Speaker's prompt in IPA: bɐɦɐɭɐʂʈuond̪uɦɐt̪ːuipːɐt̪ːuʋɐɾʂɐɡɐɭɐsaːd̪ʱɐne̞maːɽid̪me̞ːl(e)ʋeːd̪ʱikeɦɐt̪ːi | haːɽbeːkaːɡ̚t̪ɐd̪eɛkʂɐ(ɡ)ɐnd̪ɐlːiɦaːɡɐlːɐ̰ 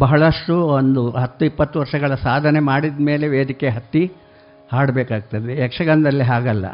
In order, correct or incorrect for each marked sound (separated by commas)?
correct, correct